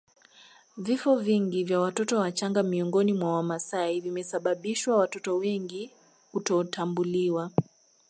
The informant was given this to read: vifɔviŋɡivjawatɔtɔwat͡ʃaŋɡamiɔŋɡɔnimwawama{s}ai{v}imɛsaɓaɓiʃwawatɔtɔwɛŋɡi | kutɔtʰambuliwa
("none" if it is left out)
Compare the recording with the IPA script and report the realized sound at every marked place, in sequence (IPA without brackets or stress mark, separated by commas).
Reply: s, v